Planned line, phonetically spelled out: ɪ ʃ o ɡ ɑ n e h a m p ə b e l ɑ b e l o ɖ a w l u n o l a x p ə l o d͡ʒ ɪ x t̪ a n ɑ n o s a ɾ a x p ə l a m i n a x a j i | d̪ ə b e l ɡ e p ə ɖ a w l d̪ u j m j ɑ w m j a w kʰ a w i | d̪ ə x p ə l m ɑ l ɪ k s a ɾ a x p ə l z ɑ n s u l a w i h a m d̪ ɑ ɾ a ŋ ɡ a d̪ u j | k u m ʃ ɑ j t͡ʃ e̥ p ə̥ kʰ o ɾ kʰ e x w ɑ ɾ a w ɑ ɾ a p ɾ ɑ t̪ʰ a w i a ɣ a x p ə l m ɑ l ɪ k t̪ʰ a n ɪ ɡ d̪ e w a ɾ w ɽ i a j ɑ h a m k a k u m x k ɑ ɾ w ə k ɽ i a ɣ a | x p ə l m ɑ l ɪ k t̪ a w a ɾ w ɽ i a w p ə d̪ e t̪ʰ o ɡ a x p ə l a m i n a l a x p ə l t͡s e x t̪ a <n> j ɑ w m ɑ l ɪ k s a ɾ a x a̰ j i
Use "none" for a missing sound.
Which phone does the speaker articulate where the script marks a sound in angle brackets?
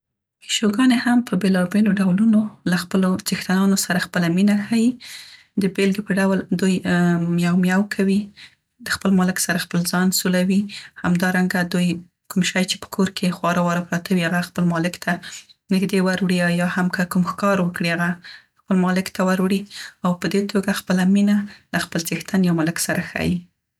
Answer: n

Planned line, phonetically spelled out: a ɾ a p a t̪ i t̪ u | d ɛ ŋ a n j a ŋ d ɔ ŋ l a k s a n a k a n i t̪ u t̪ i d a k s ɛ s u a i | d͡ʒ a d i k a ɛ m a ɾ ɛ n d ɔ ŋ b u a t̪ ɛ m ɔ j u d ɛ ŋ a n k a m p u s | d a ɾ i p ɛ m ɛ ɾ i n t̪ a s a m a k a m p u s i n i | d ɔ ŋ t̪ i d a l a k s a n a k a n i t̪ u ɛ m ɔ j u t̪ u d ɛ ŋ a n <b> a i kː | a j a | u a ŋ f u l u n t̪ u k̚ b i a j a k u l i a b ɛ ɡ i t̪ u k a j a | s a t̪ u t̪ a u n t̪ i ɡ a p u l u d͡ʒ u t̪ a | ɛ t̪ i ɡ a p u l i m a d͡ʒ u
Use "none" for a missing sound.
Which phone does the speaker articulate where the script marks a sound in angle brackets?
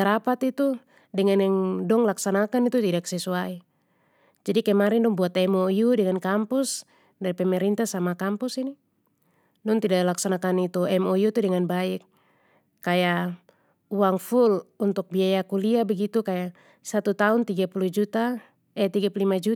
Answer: b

